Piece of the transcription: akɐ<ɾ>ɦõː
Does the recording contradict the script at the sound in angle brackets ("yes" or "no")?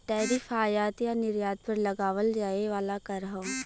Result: no